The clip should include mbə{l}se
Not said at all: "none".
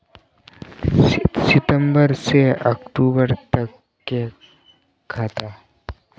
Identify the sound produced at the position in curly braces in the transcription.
ɾ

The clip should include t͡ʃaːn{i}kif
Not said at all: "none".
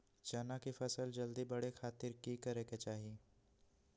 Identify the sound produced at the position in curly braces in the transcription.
a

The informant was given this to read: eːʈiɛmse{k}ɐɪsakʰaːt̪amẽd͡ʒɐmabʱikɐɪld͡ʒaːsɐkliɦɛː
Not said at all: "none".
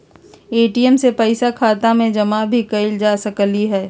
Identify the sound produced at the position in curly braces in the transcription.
p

